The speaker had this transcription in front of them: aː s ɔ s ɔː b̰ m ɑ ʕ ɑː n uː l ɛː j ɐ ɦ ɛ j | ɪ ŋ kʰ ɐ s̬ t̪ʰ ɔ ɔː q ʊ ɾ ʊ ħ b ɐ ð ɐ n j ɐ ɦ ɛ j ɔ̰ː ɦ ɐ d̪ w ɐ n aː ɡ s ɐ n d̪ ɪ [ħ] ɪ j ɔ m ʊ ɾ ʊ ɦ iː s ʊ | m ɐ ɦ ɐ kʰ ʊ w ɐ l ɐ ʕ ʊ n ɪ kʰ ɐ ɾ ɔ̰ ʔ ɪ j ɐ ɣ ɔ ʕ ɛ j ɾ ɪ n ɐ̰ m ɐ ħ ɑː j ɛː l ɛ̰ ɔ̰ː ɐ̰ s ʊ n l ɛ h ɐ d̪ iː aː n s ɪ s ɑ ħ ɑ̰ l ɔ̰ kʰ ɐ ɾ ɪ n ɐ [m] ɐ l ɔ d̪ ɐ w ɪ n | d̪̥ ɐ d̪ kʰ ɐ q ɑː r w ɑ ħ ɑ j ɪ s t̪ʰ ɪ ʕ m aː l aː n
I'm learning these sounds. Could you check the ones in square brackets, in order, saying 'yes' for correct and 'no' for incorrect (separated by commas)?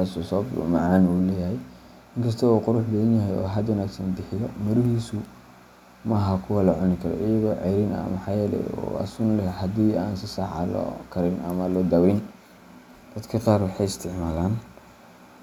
yes, yes